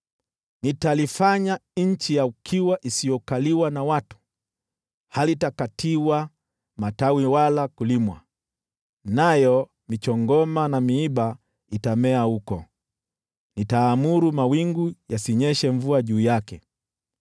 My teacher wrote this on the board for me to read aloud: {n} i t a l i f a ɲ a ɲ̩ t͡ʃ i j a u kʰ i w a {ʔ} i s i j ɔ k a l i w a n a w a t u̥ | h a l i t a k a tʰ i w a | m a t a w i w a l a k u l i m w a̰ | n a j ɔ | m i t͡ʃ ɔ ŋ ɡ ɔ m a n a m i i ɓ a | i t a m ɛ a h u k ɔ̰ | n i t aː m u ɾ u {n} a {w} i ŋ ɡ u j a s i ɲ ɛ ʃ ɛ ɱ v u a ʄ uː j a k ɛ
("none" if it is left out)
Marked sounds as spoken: n, ʔ, m, w

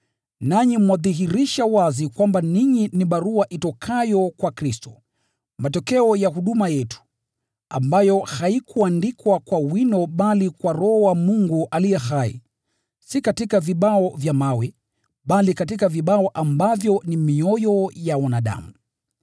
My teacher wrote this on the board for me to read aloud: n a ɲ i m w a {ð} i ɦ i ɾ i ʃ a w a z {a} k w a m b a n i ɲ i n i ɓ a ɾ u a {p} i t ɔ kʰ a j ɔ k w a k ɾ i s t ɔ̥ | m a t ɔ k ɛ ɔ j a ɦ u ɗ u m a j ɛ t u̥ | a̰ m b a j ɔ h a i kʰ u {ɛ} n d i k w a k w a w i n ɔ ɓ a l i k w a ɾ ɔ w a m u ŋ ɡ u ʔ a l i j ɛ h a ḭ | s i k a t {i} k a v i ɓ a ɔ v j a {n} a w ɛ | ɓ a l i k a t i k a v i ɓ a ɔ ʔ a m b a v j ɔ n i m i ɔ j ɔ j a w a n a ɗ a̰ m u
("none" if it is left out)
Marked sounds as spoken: ð, i, ʔ, a, i, m

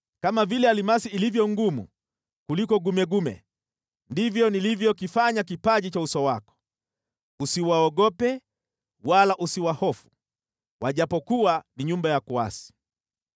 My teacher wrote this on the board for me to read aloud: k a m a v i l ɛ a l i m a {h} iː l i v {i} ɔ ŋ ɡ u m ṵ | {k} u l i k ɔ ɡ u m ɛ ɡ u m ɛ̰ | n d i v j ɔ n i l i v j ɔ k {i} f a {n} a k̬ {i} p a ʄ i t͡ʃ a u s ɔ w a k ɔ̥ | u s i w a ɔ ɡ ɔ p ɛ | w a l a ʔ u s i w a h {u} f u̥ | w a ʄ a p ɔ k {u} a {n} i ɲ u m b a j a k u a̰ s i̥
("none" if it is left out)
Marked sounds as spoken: s, j, k, i, ɲ, i, ɔ, u, n

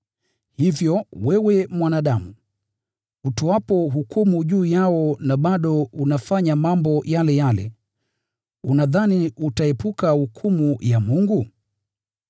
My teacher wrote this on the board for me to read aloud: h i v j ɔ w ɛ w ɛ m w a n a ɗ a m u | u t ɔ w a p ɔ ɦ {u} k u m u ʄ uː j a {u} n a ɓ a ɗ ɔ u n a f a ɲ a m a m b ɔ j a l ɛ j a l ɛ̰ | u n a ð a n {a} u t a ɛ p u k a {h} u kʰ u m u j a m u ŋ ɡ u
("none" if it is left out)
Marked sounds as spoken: u, ɔ, i, h

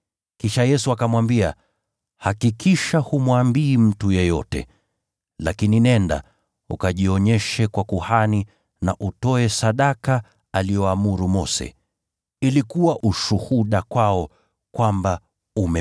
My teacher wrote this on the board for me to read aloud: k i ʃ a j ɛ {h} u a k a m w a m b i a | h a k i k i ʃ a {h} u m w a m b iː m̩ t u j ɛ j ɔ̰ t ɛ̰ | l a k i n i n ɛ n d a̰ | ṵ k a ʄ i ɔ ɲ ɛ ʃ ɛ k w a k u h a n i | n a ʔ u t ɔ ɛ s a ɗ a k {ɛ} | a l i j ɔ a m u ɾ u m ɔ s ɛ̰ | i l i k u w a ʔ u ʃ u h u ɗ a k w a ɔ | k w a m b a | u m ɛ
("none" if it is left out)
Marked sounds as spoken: s, h, a

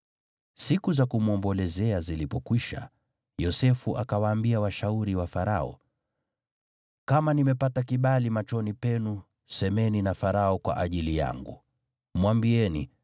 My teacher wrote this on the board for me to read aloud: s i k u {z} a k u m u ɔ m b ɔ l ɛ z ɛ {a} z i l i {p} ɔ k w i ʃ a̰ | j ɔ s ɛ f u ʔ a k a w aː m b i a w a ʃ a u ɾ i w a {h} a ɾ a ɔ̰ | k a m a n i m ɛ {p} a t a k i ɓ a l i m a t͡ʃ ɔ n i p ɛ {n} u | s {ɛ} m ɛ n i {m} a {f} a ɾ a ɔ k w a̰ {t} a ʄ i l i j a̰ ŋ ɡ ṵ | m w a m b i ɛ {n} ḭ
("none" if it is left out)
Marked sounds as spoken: z, a, p, f, p, n, ɛ, n, f, ʔ, n

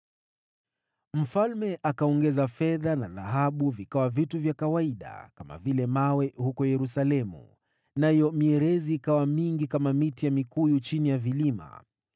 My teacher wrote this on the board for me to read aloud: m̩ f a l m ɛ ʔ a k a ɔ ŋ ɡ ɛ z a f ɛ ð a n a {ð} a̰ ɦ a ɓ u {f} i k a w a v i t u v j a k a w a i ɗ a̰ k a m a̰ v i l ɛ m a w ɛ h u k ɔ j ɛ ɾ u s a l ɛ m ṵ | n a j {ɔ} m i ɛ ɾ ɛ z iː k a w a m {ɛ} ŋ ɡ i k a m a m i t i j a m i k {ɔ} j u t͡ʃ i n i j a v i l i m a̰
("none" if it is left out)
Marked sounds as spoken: ð, v, ɔ, i, u

